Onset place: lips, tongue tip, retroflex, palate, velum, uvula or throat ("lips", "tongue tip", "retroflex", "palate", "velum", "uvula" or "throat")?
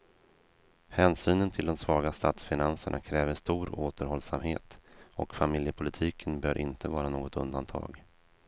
throat